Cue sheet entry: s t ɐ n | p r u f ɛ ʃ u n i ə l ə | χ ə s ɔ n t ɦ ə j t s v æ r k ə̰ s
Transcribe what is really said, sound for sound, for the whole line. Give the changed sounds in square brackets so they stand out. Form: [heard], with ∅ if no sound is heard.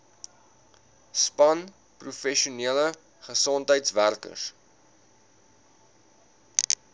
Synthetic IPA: s [p] ɐ n | p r u f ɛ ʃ u n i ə l ə | χ ə s ɔ n t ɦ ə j t s v æ r k ə̰ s